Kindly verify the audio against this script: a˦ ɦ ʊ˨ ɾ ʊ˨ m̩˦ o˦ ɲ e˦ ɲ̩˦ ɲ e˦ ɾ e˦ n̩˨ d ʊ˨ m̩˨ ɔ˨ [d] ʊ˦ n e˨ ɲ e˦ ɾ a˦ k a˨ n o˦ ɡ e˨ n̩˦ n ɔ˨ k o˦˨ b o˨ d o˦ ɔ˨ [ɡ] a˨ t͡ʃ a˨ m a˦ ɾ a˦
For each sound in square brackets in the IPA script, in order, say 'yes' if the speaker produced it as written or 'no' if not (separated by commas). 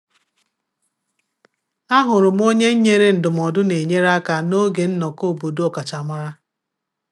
yes, no